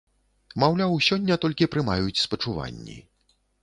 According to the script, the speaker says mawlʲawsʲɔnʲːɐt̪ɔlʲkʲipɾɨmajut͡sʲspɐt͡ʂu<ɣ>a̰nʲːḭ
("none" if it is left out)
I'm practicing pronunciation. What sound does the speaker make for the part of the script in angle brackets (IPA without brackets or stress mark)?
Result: v